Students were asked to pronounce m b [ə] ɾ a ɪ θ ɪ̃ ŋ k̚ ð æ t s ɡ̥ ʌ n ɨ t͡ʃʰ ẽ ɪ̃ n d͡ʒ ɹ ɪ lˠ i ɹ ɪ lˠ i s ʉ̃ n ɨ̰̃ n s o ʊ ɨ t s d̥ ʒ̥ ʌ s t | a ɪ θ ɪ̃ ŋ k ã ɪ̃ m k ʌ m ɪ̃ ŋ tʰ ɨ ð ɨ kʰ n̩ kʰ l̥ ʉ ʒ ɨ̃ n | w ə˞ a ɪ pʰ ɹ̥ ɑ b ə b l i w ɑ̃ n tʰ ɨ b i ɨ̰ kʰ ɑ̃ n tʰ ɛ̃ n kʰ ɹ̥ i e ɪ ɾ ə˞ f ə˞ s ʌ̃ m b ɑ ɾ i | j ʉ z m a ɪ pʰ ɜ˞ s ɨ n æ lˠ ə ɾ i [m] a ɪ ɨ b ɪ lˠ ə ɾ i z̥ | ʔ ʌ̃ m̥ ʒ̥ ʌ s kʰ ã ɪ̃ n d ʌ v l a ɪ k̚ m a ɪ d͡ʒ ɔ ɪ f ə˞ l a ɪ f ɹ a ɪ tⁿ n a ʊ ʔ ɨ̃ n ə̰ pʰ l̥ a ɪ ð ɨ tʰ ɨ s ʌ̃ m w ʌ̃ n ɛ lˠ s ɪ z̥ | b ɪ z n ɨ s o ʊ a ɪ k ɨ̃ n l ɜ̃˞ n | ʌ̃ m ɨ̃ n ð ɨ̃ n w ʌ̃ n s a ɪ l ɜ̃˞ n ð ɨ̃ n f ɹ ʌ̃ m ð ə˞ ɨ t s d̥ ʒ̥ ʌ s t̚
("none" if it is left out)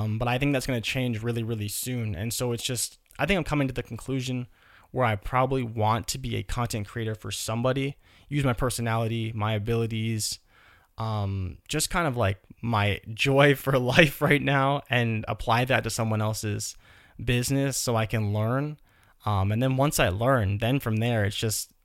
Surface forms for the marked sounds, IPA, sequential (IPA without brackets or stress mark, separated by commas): ʌ, m